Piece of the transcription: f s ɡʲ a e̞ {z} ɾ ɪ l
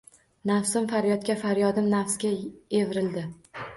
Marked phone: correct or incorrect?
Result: incorrect